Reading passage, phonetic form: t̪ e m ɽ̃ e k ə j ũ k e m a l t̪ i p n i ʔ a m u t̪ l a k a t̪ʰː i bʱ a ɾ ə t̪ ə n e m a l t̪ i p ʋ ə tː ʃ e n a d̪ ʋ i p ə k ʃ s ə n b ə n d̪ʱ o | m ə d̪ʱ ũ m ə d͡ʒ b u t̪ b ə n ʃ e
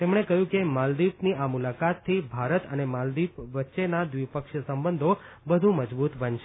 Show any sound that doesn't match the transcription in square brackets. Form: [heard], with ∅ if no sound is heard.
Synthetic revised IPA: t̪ e m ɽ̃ e k ə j ũ k e m a l [d̪] i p n i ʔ a m u [∅] l a k a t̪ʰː i bʱ a ɾ ə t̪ ə n e m a l [d̪] i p ʋ ə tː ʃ e n a d̪ ʋ i p ə k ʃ s ə [m] b ə n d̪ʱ o | [b] ə d̪ʱ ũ m ə d͡ʒ b u t̪ b ə n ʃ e